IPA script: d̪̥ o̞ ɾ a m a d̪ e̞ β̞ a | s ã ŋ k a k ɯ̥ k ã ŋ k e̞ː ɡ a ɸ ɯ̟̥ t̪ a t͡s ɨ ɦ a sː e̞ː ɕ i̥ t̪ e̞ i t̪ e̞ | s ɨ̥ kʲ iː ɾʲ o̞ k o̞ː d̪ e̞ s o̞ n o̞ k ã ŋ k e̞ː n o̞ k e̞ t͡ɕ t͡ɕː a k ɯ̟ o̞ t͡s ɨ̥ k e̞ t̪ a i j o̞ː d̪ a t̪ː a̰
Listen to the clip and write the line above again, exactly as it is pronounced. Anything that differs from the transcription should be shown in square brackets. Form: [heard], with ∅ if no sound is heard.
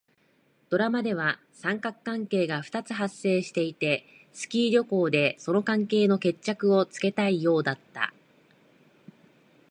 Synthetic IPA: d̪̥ o̞ ɾ a m a d̪ e̞ β̞ a | s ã ŋ k a k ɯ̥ k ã ŋ k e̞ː ɡ a ɸ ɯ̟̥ t̪ a t͡s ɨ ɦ a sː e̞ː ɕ i̥ t̪ e̞ i t̪ e̞ | s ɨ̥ kʲ iː ɾʲ o̞ k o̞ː d̪ e̞ s o̞ n o̞ k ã ŋ k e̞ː n o̞ k e̞ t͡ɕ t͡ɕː a k ɯ̟ o̞ t͡s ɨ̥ k e̞ t̪ a i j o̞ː d̪ a t̪ː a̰